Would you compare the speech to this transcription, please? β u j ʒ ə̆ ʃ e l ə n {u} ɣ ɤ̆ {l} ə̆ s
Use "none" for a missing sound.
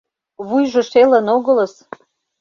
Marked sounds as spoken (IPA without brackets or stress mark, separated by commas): o, l